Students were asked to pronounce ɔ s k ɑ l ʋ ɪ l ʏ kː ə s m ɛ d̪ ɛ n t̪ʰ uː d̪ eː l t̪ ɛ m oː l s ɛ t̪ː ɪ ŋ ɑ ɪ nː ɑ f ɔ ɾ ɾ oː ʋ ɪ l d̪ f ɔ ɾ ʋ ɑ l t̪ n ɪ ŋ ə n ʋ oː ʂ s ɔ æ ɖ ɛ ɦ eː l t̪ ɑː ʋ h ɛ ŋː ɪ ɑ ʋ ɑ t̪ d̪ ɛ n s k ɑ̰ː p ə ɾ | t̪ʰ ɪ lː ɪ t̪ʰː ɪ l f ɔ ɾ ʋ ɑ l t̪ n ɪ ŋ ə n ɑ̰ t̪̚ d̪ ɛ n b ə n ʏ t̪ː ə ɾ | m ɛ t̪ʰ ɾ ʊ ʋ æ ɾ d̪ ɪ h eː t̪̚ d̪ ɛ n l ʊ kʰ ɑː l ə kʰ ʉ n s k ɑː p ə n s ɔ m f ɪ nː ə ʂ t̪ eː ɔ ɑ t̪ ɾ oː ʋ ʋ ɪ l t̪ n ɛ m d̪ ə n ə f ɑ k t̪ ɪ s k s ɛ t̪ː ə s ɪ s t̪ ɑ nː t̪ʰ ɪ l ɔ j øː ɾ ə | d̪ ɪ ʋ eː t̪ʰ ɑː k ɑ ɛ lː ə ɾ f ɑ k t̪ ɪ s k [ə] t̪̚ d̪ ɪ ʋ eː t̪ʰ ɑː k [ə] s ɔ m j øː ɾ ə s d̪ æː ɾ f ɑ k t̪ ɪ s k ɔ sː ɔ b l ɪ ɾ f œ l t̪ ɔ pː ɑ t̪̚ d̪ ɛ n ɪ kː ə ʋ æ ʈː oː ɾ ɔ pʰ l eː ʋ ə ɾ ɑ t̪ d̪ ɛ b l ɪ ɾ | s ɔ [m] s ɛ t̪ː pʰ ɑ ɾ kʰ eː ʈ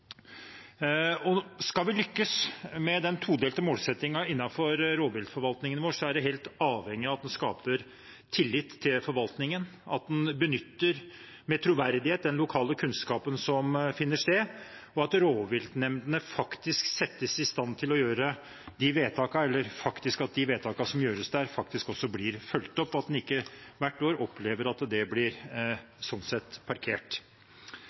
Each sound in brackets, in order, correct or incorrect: incorrect: ɑ, incorrect: ɑ, incorrect: n

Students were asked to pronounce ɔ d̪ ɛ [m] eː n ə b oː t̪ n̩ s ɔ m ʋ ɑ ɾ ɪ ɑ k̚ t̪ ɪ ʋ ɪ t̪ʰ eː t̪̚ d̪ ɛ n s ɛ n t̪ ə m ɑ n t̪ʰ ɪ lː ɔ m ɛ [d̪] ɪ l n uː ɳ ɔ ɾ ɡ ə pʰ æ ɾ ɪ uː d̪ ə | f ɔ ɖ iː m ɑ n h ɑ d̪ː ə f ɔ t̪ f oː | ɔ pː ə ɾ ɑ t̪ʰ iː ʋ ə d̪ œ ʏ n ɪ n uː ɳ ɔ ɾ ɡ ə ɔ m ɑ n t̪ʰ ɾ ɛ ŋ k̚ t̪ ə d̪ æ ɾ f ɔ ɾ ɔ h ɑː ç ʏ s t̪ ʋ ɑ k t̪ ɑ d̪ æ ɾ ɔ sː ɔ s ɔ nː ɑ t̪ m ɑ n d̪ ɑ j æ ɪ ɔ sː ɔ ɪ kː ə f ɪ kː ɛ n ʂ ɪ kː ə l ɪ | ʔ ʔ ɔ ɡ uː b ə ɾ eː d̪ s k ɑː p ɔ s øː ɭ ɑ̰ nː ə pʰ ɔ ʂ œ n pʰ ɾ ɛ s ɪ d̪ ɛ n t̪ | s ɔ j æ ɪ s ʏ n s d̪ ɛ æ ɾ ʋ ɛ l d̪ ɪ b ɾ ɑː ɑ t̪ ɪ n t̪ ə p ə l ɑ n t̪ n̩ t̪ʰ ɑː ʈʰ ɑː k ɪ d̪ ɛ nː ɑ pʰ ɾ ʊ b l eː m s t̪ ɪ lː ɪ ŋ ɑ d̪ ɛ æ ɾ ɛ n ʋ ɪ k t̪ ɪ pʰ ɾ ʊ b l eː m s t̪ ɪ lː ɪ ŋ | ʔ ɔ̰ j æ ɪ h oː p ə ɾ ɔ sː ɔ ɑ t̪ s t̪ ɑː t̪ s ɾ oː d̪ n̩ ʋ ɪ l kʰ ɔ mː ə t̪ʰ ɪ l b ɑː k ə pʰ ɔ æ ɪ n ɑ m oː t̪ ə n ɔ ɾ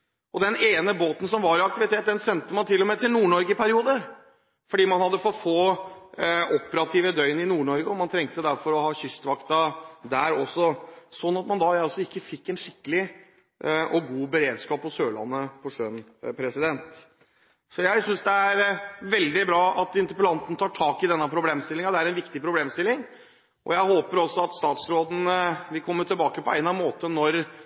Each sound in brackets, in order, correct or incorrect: incorrect: n, incorrect: t̪

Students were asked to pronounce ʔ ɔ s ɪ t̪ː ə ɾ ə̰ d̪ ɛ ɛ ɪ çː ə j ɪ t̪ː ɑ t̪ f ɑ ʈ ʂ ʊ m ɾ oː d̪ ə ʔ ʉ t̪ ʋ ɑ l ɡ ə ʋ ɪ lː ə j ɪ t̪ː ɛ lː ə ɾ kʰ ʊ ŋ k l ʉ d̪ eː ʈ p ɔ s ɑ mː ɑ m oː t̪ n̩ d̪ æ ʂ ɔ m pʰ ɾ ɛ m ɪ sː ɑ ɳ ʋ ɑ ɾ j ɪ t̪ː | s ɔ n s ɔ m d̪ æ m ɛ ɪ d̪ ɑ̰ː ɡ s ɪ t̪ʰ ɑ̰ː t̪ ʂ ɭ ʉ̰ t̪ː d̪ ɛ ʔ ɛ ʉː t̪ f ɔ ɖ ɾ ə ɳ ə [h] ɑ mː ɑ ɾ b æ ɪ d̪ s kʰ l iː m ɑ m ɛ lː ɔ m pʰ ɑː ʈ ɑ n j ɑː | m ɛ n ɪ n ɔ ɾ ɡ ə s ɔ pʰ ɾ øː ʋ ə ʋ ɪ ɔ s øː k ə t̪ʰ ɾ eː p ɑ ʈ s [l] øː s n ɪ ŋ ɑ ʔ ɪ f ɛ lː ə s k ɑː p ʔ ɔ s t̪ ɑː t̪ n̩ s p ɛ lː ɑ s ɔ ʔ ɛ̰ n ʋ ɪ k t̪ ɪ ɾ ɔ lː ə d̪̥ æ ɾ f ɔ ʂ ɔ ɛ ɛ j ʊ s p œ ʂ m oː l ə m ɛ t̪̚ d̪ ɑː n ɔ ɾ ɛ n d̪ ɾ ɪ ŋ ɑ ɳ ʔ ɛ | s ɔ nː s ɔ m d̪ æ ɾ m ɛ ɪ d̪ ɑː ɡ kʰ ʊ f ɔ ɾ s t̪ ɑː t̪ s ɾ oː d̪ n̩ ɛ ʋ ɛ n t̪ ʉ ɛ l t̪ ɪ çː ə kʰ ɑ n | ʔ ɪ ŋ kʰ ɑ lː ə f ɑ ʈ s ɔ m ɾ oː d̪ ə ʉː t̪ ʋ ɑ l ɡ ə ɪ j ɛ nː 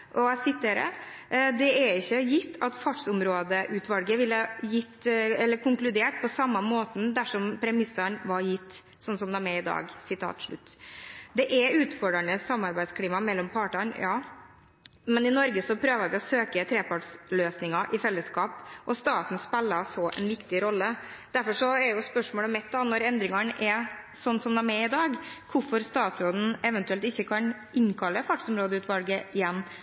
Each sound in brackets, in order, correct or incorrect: incorrect: s, correct

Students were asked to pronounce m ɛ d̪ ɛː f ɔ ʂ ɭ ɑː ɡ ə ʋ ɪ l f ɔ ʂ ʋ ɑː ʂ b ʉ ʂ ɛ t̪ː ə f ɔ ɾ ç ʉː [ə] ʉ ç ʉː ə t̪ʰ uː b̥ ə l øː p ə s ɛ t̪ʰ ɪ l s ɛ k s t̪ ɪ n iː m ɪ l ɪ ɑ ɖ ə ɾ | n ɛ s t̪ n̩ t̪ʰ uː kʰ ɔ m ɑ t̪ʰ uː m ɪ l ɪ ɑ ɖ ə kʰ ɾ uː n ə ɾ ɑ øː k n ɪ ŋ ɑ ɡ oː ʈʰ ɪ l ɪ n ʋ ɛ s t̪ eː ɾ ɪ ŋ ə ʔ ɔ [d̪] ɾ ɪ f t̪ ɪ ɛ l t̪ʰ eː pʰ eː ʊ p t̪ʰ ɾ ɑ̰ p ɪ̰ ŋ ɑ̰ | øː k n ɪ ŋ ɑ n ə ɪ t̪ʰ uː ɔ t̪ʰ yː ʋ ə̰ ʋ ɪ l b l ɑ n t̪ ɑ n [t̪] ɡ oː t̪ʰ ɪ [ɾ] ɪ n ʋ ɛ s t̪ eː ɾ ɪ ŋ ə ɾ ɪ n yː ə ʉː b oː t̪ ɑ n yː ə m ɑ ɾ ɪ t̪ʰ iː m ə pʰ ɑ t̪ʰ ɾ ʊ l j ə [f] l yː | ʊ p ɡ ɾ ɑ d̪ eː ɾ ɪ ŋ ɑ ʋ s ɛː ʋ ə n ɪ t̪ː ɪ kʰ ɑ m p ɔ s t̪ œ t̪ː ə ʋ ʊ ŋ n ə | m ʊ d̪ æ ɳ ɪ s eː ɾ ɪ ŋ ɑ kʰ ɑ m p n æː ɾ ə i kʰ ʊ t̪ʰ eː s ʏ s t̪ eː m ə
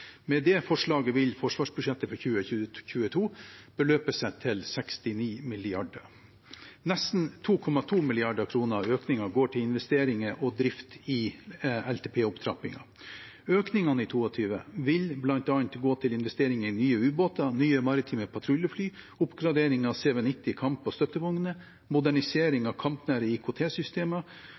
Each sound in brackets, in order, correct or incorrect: correct, correct, correct, incorrect: l, correct

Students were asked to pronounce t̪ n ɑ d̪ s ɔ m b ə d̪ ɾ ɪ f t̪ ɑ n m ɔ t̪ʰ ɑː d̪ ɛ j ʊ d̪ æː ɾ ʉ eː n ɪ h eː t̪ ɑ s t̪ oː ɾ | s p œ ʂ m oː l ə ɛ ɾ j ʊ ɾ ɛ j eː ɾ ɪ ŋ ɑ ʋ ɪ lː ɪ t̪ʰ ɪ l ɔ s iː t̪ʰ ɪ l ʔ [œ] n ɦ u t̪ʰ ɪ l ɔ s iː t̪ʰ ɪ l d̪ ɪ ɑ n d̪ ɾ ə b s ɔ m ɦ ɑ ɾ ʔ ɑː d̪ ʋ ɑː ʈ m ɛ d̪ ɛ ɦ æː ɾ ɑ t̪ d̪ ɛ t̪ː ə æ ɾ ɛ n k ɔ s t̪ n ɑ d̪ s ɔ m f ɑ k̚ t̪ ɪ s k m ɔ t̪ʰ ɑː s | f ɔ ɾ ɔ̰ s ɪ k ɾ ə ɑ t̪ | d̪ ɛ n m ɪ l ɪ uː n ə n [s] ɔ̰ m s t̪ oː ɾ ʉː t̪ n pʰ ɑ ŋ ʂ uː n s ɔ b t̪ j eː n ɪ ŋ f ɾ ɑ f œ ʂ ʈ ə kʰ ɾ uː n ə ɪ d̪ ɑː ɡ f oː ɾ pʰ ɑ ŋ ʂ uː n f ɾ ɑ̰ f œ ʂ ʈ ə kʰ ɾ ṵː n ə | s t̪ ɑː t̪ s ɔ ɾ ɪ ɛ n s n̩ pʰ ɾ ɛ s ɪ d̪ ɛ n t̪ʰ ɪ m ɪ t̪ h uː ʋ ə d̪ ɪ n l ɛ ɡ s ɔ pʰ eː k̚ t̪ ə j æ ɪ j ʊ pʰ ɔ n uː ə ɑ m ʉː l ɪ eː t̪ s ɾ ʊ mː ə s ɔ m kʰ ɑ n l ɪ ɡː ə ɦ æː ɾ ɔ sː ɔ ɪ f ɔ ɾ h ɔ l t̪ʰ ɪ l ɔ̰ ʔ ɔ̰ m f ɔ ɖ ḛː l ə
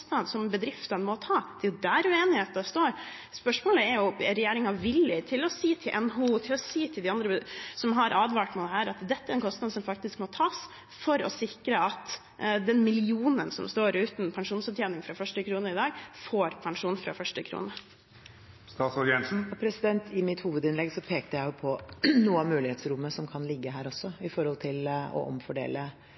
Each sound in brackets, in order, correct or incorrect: incorrect: ɛ, correct

